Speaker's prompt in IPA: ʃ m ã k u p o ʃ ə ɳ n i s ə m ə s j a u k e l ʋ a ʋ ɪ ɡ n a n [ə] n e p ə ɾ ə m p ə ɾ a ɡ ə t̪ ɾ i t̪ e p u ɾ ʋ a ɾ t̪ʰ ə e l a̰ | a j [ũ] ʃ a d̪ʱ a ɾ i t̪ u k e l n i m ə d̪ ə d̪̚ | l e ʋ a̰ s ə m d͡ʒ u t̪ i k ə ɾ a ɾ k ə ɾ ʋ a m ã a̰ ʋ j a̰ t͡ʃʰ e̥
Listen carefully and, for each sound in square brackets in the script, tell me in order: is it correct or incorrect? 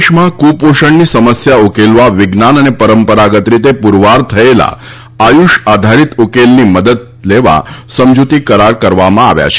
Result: correct, incorrect: u

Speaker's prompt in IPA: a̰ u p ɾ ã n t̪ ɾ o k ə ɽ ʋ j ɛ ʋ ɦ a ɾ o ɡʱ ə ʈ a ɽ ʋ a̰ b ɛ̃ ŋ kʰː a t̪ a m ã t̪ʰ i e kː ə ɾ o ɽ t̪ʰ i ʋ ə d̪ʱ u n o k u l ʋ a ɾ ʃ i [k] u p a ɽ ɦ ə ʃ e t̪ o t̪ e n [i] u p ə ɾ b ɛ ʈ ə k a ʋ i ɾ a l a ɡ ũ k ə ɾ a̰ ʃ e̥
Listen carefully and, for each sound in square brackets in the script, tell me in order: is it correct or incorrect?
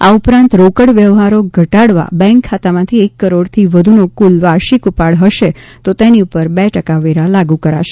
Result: correct, correct

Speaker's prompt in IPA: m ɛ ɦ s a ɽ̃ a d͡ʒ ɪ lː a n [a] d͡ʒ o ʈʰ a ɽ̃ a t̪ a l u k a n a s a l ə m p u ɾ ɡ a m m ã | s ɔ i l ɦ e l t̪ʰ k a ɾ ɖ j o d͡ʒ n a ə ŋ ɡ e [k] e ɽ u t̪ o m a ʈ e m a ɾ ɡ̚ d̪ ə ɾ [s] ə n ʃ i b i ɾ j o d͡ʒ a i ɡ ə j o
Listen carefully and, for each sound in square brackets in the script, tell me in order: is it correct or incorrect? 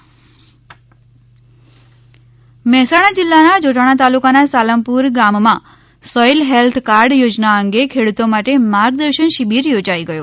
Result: correct, incorrect: kʰ, incorrect: ʃ

